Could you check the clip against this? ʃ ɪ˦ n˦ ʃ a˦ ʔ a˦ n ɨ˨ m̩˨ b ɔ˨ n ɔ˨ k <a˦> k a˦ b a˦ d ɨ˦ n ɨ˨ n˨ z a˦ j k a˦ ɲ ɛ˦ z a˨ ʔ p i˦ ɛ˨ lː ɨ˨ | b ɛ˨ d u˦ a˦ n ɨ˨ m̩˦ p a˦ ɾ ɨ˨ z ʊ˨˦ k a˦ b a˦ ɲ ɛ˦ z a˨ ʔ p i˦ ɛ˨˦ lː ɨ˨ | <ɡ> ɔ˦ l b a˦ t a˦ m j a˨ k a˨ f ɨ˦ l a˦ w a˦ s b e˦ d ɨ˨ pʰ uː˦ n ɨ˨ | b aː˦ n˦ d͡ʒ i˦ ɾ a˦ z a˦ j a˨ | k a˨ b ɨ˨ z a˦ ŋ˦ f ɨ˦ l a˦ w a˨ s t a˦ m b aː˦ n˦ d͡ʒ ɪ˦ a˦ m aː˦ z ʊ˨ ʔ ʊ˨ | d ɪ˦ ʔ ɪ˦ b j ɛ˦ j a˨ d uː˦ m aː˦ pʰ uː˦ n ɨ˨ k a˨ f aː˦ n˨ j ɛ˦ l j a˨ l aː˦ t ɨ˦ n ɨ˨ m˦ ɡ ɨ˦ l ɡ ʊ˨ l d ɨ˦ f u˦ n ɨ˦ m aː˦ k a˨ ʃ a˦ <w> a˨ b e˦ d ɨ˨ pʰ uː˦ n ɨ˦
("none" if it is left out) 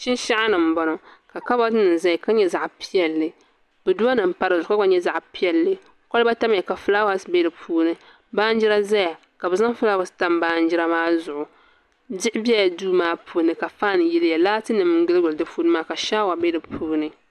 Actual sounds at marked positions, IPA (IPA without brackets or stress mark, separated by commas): a˨, k, w